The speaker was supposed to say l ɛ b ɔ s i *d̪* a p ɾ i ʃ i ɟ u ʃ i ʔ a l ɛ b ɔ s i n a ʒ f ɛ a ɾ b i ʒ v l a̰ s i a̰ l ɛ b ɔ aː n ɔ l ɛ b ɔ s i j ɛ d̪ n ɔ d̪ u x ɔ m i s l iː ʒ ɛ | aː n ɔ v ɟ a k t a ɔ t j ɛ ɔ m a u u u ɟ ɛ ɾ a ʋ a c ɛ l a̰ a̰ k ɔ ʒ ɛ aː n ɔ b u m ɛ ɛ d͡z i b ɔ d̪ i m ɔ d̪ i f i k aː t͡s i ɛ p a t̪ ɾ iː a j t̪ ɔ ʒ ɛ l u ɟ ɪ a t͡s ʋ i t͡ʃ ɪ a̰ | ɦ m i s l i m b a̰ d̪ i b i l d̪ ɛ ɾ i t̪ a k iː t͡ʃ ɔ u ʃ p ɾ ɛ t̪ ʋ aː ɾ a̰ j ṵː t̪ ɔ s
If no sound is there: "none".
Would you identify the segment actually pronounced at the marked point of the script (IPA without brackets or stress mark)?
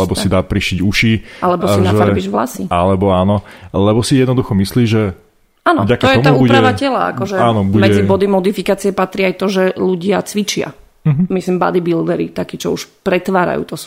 d̪